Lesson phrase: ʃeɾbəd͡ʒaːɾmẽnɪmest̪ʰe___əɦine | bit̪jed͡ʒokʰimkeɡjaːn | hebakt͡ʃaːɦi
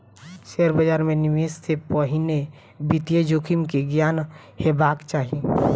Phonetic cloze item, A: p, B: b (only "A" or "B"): A